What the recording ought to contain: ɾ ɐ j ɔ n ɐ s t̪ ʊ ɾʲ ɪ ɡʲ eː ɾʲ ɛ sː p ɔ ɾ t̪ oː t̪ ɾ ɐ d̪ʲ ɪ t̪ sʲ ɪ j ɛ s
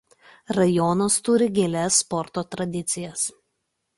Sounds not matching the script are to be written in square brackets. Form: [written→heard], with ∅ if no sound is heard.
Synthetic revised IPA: ɾ ɐ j ɔ n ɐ s t̪ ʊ ɾʲ ɪ ɡʲ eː [ɾʲ→lʲ] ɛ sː p ɔ ɾ t̪ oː t̪ ɾ ɐ d̪ʲ ɪ t̪ sʲ ɪ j ɛ s